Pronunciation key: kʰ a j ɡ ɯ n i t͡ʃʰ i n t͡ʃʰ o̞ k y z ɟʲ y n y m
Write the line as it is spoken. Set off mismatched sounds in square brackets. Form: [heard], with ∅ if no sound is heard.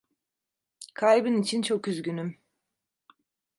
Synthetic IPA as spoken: kʰ a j [b] ɯ n i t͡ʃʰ i n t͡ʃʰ o̞ k y z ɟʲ y n y m